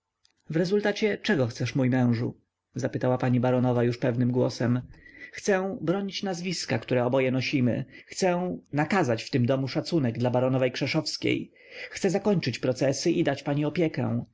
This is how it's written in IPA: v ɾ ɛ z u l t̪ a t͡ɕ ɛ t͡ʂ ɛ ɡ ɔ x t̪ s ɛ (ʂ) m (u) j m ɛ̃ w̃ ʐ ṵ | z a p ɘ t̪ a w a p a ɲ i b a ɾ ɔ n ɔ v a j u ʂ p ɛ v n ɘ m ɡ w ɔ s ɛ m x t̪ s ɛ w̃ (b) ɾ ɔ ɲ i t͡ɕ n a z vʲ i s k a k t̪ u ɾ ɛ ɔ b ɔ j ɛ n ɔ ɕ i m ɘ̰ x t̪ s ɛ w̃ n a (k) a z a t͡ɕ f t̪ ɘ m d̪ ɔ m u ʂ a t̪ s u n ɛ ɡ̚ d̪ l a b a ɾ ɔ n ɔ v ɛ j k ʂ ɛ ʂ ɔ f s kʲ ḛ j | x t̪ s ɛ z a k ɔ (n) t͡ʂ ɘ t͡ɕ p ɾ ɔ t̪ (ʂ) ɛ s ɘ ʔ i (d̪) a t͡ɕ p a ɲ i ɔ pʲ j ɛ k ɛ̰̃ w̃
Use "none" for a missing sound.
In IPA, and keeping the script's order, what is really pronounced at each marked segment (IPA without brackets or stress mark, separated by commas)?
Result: ʂ, u, b, k, ɲ, s, d̪